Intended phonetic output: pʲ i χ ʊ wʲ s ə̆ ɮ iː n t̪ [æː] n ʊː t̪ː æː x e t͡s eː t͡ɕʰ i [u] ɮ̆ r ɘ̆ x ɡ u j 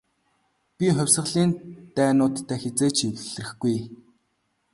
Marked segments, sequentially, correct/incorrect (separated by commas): correct, incorrect